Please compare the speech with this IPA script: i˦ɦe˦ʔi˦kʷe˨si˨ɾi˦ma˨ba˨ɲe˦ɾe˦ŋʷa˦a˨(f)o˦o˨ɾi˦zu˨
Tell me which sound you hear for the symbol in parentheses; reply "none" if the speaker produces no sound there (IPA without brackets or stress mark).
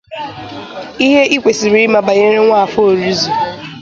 f